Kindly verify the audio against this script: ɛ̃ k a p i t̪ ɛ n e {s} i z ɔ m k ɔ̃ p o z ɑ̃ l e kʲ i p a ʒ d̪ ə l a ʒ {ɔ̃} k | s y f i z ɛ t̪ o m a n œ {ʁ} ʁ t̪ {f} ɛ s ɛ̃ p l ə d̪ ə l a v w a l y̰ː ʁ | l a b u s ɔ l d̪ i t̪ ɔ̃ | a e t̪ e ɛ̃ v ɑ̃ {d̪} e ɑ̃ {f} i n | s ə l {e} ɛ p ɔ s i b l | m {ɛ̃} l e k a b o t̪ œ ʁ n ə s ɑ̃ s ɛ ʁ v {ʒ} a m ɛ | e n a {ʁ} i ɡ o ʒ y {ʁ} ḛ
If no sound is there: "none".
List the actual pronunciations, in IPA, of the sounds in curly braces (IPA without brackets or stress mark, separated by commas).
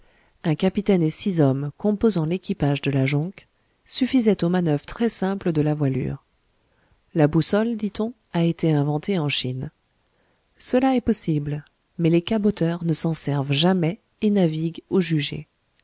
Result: s, ɔ̃, v, χ, t̪, ʃ, a, ɛ, ʒ, v, ʒ